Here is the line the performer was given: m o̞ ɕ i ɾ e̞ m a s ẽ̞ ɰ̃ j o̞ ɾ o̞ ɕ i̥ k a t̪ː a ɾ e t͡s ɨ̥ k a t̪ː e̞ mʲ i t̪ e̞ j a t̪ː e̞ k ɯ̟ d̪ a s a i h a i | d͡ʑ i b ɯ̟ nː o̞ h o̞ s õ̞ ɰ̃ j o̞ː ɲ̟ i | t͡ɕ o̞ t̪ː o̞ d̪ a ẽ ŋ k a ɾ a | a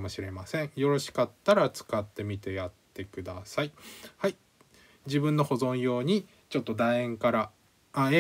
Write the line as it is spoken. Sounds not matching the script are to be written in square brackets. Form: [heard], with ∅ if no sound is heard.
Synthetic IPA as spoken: m o̞ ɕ i ɾ e̞ m a s ẽ̞ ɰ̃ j o̞ ɾ o̞ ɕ i̥ k a t̪ː a ɾ [a] t͡s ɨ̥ k a t̪ː e̞ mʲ i t̪ e̞ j a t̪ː e̞ k ɯ̟ d̪ a s a i h a i | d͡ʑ i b [ɯ̟̃] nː o̞ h o̞ [z] õ̞ ɰ̃ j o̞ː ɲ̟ i | t͡ɕ o̞ t̪ː o̞ d̪ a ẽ ŋ k a ɾ a | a